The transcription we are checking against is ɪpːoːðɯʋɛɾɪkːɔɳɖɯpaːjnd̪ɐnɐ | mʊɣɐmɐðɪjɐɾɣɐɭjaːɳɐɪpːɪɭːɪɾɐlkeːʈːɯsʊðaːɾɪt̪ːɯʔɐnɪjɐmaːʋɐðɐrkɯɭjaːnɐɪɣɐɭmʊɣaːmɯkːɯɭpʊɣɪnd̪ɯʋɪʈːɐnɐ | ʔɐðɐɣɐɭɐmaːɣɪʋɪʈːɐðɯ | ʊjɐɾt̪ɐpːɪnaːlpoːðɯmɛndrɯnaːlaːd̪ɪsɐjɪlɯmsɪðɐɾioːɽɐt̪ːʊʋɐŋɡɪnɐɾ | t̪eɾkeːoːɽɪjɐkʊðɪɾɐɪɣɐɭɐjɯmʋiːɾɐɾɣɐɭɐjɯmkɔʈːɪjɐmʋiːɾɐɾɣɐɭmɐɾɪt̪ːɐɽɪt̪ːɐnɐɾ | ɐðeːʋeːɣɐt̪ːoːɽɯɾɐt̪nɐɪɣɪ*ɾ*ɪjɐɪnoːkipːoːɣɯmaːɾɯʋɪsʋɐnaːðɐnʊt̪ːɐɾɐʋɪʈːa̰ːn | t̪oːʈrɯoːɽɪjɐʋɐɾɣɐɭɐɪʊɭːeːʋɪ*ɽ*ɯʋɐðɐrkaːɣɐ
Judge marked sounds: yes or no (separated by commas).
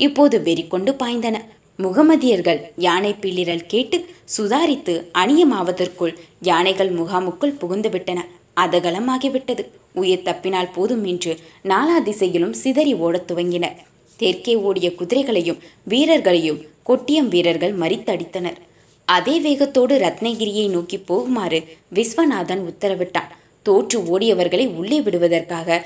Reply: yes, yes